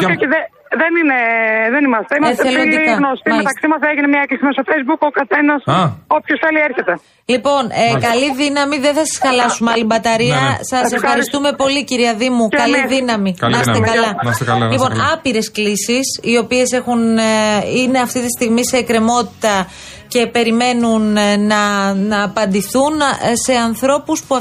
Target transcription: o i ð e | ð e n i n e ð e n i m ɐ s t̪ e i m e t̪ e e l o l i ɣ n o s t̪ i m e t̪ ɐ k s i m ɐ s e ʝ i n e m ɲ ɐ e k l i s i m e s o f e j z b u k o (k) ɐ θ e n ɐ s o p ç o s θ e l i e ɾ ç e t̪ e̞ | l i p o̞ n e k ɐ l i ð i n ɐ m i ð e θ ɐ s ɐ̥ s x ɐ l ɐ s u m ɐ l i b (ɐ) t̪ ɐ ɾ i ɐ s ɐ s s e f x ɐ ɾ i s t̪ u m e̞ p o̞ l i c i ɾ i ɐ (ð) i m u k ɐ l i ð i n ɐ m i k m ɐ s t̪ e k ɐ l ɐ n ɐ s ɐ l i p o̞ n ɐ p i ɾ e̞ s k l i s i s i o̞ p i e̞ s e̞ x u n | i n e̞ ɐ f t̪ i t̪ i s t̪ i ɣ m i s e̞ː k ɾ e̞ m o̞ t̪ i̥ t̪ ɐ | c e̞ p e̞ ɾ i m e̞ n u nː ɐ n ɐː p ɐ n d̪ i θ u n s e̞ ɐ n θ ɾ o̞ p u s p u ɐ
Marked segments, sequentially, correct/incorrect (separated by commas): correct, correct, correct